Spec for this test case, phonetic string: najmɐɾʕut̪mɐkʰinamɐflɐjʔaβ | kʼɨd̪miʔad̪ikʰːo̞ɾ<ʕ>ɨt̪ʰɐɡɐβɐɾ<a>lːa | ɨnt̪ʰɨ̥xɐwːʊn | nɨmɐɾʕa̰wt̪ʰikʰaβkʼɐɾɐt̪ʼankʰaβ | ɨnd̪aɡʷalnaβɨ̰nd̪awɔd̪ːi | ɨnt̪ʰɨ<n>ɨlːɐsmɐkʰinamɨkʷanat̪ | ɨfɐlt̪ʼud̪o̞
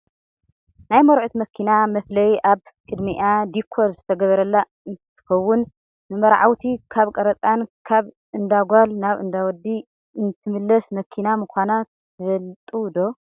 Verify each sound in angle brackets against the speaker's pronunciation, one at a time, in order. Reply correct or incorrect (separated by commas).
incorrect, incorrect, incorrect